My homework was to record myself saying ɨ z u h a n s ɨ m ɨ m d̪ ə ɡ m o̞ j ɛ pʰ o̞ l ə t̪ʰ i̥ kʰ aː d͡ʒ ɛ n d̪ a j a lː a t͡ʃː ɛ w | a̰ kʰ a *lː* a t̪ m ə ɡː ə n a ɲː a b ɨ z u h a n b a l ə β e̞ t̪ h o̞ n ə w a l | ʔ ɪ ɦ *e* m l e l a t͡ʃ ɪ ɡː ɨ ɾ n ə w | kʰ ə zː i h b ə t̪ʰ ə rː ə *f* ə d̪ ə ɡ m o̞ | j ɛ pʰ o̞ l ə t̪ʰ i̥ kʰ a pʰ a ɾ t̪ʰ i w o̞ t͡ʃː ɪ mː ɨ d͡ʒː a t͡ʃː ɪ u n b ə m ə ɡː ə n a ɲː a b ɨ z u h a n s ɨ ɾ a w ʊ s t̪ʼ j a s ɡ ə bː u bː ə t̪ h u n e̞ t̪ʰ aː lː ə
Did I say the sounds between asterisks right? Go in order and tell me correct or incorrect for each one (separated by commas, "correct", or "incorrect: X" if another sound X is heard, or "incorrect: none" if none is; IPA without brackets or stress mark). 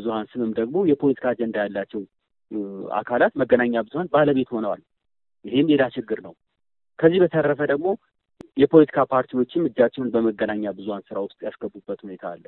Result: incorrect: l, correct, correct